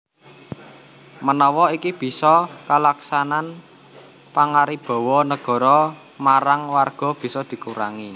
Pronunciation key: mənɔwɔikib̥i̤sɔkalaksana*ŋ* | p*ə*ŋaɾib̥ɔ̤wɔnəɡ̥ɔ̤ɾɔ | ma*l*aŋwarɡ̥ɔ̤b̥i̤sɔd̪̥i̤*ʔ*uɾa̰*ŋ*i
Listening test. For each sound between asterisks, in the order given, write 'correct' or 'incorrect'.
incorrect: n, incorrect: a, incorrect: ɾ, incorrect: k, correct

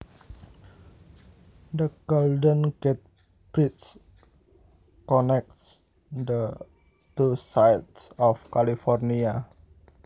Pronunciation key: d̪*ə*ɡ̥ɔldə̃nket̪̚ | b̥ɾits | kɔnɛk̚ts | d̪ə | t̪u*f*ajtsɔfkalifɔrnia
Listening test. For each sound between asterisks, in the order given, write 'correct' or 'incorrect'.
correct, incorrect: s

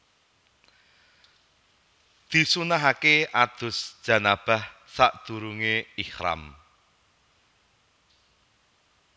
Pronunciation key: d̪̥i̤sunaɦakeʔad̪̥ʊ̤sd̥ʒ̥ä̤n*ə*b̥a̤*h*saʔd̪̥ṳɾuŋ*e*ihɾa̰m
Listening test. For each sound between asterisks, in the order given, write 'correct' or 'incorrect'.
incorrect: a, correct, correct

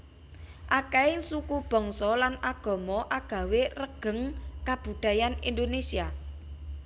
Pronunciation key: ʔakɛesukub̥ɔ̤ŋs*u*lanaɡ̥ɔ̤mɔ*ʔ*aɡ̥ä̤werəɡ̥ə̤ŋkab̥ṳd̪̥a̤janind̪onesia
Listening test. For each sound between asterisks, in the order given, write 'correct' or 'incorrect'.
incorrect: ɔ, correct

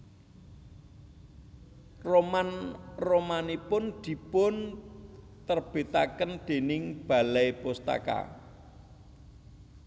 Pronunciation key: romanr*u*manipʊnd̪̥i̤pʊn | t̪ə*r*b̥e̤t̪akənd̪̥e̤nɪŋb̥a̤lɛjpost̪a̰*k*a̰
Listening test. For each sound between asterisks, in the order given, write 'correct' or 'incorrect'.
incorrect: o, correct, correct

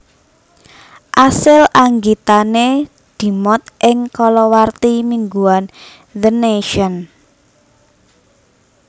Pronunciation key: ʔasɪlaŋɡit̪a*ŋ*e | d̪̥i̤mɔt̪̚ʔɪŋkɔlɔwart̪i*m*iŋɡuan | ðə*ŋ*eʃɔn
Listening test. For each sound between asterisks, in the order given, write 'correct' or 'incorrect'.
incorrect: n, correct, incorrect: n

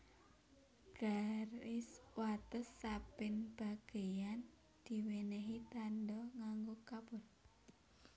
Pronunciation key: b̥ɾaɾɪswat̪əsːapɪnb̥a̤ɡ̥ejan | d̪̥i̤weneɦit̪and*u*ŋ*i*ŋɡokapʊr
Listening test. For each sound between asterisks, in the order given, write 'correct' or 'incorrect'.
incorrect: ɔ, incorrect: a

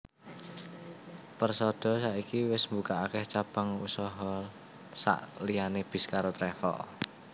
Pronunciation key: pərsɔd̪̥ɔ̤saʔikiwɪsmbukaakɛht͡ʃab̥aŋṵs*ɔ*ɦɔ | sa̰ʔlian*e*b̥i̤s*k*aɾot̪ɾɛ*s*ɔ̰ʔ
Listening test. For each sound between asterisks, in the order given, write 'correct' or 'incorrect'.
correct, correct, correct, incorrect: f

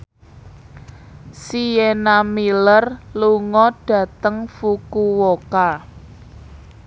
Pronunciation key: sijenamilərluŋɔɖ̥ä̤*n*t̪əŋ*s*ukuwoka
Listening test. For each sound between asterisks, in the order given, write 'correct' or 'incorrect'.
incorrect: none, incorrect: f

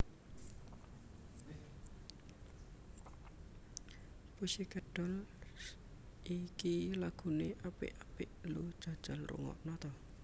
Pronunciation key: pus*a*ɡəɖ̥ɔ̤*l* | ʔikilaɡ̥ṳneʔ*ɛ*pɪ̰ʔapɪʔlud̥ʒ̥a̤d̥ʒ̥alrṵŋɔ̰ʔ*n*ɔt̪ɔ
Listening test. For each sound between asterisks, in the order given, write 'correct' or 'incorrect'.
incorrect: i, correct, incorrect: a, correct

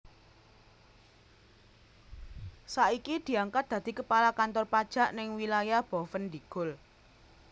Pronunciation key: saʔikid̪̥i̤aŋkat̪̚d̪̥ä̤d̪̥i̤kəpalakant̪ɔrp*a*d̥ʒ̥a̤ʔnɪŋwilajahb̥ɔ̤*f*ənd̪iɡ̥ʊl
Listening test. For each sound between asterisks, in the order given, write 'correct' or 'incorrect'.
correct, correct

